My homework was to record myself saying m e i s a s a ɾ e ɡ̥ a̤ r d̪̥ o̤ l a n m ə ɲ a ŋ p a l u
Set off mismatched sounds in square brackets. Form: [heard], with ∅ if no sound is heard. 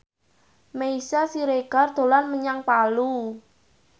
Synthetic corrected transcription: m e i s a s [i] ɾ e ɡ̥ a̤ r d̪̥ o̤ l a n m ə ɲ a ŋ p a l u